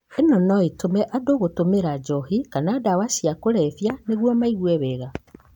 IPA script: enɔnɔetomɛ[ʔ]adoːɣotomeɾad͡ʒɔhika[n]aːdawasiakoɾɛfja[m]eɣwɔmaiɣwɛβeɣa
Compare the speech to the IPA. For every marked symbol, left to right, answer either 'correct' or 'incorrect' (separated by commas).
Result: correct, correct, incorrect